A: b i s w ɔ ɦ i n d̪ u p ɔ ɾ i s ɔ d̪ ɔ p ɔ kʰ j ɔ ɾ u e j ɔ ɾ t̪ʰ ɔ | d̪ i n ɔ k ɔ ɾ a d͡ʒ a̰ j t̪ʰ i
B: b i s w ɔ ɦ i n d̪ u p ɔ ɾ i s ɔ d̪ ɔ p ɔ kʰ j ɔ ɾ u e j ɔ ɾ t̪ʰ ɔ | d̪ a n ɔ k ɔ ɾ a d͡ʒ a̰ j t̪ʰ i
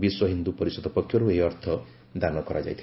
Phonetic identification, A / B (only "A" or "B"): B